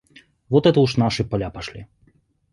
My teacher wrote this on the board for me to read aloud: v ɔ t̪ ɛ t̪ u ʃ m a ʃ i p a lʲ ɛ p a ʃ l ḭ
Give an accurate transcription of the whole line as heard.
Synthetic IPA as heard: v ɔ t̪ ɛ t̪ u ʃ n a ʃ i p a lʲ a p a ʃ l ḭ